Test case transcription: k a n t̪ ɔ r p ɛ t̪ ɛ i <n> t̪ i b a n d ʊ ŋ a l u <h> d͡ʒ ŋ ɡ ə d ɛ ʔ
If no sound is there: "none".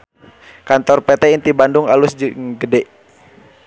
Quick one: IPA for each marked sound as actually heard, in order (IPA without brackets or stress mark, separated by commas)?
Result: n, s